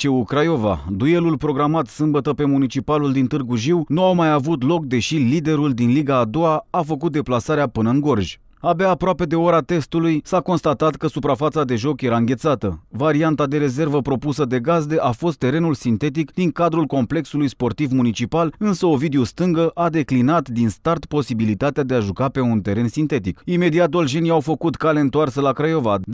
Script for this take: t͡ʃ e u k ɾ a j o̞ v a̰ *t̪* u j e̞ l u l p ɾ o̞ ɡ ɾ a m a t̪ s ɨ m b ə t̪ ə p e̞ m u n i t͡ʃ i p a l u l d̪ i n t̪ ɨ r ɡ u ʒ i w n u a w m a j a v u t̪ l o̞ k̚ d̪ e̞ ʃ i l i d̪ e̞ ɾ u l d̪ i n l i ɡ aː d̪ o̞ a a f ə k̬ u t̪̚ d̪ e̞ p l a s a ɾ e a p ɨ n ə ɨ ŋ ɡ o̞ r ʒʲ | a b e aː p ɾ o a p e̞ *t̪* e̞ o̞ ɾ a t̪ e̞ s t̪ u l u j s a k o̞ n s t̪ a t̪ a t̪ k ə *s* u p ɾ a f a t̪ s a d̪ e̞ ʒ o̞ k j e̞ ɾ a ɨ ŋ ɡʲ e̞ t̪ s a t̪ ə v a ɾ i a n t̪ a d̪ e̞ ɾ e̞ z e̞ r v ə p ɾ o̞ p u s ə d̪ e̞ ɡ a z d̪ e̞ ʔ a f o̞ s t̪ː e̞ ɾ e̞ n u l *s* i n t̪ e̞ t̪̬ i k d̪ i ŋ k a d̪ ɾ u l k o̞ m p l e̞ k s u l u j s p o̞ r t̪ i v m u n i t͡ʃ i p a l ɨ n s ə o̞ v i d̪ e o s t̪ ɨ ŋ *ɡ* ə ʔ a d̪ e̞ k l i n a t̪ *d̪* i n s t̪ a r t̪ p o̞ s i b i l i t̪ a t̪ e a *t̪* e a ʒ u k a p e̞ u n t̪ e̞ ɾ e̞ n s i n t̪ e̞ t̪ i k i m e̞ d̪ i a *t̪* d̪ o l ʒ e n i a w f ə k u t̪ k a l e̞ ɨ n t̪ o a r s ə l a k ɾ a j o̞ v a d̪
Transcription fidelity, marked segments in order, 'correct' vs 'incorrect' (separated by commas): incorrect, incorrect, correct, correct, correct, correct, incorrect, correct